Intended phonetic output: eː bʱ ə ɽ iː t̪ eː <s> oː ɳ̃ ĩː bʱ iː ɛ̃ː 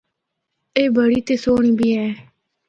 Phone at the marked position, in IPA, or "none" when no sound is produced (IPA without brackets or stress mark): s